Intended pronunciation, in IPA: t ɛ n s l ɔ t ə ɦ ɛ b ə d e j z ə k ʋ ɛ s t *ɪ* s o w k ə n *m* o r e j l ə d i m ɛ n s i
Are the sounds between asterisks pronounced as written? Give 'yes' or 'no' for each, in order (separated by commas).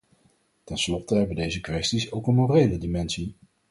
no, yes